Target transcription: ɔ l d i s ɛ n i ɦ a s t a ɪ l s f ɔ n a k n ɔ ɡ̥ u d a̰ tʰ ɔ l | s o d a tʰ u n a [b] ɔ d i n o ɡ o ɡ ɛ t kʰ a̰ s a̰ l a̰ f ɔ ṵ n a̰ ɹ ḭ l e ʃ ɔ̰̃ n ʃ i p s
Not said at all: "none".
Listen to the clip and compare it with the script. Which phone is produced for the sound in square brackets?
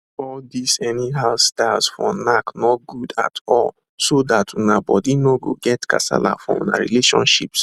b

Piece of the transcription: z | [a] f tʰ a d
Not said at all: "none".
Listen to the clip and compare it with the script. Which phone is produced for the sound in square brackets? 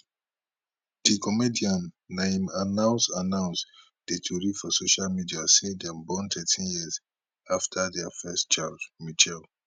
a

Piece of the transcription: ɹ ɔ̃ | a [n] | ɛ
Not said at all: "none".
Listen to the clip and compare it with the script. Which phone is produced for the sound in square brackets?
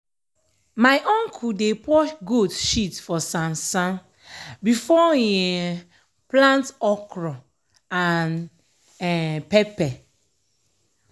n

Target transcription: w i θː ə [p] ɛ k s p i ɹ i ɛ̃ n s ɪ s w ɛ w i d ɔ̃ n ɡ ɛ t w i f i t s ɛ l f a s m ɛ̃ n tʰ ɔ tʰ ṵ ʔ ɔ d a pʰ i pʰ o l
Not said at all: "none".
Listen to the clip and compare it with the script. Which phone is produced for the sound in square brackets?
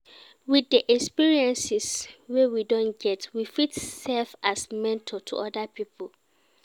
ʔ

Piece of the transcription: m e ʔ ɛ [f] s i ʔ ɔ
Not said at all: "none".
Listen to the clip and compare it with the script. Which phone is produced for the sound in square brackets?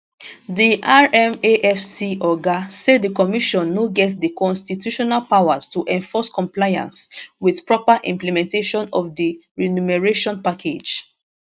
f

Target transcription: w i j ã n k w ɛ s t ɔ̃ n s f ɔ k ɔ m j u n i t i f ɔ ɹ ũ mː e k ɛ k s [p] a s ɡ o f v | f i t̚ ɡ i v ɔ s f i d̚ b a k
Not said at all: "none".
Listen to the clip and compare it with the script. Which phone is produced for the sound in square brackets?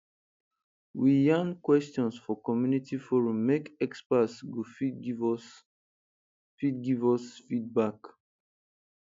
p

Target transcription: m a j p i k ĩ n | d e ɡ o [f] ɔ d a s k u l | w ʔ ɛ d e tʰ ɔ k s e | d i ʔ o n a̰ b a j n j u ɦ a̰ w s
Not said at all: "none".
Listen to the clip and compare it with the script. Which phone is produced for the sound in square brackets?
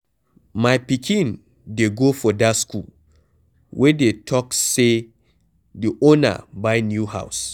f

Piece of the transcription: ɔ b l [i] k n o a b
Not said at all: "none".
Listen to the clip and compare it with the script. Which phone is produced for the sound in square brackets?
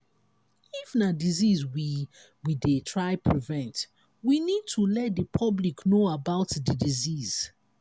i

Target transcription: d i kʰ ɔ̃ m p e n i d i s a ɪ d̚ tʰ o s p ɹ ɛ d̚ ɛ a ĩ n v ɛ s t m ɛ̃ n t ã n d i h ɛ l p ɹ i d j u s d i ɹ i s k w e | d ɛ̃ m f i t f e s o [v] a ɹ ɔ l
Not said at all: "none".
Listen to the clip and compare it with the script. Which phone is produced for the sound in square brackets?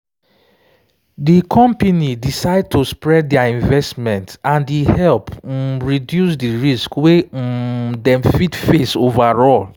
v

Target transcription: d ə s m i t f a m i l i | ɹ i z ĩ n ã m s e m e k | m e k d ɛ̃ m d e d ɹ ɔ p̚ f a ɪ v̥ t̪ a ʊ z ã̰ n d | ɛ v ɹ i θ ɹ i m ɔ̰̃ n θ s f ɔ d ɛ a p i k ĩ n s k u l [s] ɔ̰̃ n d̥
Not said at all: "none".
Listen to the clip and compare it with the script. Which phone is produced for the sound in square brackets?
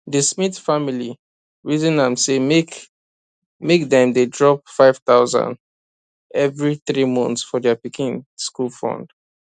f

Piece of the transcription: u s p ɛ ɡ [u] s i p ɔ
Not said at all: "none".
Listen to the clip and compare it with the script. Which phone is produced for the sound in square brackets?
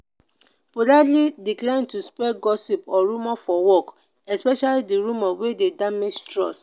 ɔ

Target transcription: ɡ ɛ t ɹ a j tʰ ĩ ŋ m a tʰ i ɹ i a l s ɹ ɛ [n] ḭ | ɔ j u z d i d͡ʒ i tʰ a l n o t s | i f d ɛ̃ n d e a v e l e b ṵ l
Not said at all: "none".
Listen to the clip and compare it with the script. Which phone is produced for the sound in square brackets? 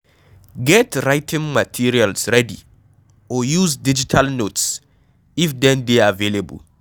d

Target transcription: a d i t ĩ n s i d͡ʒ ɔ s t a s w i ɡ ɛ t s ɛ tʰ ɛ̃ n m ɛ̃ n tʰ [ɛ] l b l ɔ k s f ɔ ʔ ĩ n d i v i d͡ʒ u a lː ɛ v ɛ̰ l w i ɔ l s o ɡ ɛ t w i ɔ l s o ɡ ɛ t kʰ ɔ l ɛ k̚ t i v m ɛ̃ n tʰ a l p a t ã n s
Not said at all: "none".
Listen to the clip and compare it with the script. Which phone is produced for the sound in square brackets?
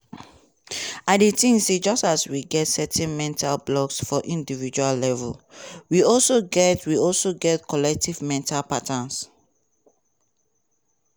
a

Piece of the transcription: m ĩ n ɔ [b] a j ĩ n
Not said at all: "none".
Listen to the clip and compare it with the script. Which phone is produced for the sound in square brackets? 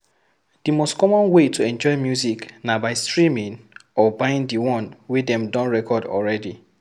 b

